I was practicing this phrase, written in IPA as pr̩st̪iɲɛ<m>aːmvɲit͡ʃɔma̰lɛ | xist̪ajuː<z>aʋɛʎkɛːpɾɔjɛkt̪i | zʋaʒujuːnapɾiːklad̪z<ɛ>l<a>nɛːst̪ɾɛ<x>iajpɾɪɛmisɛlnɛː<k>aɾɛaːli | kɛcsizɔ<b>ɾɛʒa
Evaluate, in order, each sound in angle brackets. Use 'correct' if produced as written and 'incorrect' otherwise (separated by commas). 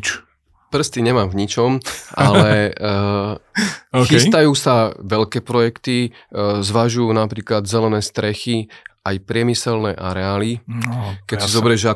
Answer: correct, incorrect, correct, incorrect, correct, incorrect, correct